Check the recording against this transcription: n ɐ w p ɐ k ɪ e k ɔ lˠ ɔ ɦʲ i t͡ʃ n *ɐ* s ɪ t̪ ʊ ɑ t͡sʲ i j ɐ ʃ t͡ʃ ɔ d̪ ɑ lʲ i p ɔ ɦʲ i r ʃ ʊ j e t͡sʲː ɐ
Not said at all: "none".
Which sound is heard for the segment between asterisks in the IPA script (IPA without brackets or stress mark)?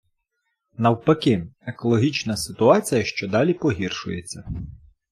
ɐ